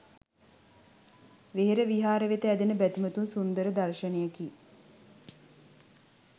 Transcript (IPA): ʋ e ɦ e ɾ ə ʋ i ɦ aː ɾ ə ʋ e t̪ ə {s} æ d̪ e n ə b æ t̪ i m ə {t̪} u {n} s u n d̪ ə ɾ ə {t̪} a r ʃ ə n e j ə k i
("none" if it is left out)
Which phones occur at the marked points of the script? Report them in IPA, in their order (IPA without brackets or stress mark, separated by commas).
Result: none, t̪, n, d̪